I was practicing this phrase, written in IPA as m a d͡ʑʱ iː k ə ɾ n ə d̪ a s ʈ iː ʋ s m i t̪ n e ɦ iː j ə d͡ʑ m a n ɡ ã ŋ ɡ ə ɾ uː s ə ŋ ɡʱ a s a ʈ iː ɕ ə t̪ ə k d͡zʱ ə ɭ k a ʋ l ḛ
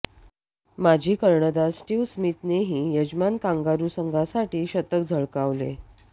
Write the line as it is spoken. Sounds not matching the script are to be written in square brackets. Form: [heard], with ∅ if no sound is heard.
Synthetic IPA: m a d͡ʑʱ iː k ə ɾ [ɳ] ə d̪ a s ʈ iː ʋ s m i t̪ n e ɦ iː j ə d͡ʑ m a n [k] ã ŋ ɡ [a] ɾ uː s ə ŋ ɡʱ a s a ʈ iː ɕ ə t̪ ə k d͡zʱ ə ɭ k a ʋ l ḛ